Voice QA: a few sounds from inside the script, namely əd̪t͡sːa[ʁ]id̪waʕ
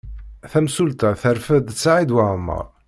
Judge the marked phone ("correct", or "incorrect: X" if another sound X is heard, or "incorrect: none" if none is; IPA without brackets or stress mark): incorrect: ʕ